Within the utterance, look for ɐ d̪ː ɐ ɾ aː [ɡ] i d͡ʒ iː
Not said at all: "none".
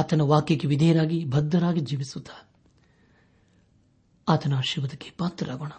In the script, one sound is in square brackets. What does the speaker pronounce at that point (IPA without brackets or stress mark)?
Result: ɡ